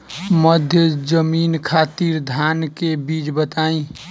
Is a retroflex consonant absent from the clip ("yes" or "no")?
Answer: yes